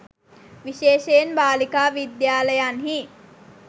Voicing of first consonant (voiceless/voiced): voiced